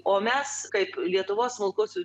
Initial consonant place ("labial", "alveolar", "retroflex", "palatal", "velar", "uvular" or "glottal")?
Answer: labial